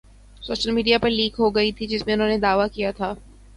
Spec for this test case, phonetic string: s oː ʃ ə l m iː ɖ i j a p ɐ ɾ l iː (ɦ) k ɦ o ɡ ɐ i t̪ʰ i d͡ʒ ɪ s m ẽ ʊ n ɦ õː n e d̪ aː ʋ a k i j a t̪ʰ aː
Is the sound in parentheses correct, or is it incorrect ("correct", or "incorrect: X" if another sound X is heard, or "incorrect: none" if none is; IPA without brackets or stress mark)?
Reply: incorrect: none